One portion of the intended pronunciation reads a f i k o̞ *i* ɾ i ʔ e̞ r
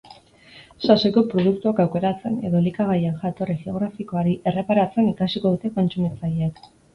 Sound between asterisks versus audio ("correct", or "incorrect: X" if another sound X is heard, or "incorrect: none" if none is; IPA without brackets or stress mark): incorrect: a